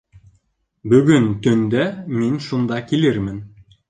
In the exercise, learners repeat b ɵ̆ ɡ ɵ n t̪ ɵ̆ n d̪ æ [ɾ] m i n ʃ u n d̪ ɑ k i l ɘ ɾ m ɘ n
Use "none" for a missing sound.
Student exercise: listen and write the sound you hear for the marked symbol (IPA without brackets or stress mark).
none